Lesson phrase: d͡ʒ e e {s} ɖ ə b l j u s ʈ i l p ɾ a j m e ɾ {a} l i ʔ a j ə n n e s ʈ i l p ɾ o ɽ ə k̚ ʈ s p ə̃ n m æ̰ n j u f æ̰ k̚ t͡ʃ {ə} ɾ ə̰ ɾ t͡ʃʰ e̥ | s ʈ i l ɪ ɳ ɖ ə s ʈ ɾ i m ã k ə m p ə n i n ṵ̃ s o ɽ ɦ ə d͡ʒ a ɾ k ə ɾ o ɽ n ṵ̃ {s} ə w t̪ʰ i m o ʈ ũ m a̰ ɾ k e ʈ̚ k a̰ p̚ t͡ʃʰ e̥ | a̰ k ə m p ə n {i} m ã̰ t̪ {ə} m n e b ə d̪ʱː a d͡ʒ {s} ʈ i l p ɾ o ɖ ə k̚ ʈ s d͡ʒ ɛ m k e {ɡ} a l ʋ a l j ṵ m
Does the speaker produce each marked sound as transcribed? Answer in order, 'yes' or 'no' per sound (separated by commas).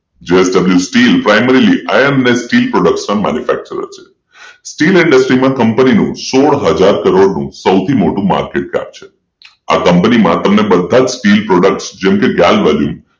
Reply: yes, no, yes, yes, yes, yes, yes, yes